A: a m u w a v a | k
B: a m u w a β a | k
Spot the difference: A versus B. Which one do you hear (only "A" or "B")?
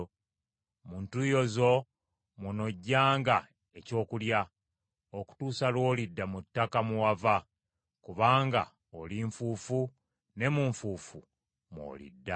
A